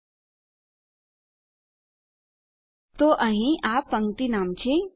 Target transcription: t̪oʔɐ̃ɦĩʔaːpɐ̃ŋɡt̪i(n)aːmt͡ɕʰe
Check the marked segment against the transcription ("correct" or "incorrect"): correct